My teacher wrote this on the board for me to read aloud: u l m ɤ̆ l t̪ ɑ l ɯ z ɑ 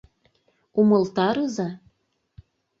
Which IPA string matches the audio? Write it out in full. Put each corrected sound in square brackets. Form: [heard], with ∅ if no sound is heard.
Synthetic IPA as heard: u [∅] m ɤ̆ l t̪ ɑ [ɾ] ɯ z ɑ